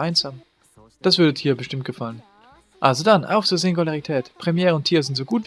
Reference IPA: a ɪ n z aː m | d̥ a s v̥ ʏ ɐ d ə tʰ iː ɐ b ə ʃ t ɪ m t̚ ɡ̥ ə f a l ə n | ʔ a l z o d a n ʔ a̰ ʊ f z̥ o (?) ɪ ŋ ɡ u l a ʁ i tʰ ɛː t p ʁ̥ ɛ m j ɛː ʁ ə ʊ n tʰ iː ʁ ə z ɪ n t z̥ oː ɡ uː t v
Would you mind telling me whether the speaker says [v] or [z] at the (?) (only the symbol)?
z